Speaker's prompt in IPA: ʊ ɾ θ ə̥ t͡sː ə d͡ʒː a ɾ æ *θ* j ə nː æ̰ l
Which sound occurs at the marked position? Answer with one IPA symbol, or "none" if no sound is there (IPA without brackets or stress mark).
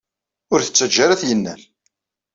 θ